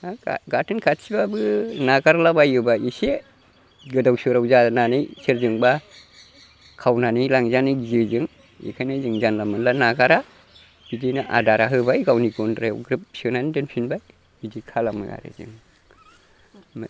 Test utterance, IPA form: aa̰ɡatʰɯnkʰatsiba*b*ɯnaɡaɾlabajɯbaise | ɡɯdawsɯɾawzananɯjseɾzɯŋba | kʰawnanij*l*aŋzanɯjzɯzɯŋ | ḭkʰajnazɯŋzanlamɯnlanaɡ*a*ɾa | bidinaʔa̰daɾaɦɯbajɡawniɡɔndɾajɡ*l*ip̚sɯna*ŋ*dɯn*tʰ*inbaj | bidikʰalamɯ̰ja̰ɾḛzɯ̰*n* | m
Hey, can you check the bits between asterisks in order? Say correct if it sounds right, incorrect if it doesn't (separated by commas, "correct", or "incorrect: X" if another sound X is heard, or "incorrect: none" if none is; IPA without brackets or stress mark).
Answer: correct, correct, correct, incorrect: ɾ, incorrect: n, incorrect: pʰ, incorrect: ŋ